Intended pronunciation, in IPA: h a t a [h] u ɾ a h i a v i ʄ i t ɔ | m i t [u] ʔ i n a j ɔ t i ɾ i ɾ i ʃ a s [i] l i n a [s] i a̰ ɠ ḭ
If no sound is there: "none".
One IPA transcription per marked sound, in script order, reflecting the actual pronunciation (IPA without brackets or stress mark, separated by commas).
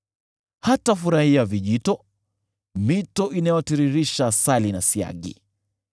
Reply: f, ɔ, a, s